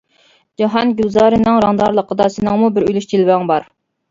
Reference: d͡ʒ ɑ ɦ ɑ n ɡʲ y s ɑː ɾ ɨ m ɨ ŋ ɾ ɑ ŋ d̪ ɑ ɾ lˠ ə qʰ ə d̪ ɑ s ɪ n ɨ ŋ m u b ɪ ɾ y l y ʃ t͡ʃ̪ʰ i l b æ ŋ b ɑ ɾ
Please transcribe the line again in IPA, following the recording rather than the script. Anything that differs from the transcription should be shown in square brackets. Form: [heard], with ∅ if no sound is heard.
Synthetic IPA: d͡ʒ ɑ ɦ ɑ n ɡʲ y [z] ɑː ɾ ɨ [n] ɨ ŋ ɾ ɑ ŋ d̪ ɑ ɾ lˠ ə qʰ ə d̪ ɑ s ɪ n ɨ ŋ m u b ɪ ɾ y l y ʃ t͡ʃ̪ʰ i l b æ ŋ b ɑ ɾ